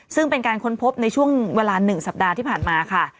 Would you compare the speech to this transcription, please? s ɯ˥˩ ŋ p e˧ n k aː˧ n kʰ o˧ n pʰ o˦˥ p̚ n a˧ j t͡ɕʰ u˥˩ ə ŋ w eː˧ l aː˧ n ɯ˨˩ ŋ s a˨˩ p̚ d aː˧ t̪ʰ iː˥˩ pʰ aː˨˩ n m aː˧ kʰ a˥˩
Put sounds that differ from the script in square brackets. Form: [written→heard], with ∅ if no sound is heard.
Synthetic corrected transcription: s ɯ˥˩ ŋ p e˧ n k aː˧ n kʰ [o˧→o˦˥] n pʰ o˦˥ p̚ n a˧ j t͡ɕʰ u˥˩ ə ŋ w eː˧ l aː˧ n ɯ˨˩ ŋ s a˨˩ p̚ d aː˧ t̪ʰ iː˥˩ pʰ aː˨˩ n m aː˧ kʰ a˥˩